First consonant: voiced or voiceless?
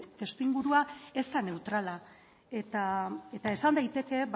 voiceless